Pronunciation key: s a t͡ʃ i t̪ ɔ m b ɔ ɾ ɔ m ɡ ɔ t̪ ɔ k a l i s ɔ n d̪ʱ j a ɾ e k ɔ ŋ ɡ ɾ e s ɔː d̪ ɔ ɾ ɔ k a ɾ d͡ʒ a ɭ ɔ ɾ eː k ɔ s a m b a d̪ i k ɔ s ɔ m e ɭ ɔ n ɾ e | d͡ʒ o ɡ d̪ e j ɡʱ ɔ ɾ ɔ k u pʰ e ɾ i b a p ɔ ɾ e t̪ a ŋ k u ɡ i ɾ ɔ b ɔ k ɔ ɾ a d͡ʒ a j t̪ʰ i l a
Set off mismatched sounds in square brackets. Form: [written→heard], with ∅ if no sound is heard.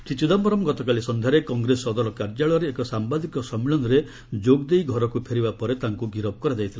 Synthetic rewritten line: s [a→i] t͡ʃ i [t̪→d̪] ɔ m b ɔ ɾ ɔ m ɡ ɔ t̪ ɔ k a l i s ɔ n d̪ʱ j a ɾ e k ɔ ŋ ɡ ɾ e s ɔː d̪ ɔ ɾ ɔ k a ɾ d͡ʒ a ɭ ɔ ɾ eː k ɔ s a m b a d̪ i k ɔ s ɔ m [e→i] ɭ ɔ n ɾ e | d͡ʒ o ɡ d̪ e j ɡʱ ɔ ɾ ɔ k u pʰ e ɾ i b a p ɔ ɾ e t̪ a ŋ k u ɡ i ɾ ɔ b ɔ k ɔ ɾ a d͡ʒ a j t̪ʰ i l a